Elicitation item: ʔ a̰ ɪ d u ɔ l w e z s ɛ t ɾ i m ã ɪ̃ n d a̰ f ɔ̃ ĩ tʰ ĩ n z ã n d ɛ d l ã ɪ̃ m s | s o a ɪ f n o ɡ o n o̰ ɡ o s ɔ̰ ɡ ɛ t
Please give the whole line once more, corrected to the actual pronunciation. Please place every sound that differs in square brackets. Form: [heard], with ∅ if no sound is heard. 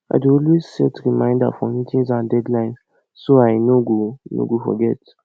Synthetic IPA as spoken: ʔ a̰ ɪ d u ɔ l w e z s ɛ t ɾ i m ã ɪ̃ n d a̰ f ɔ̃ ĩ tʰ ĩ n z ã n d ɛ d l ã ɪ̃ [n] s | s o a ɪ [∅] n o ɡ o n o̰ ɡ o [f] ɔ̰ ɡ ɛ t